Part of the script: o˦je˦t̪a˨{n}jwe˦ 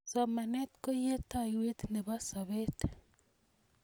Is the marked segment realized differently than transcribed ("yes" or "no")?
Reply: yes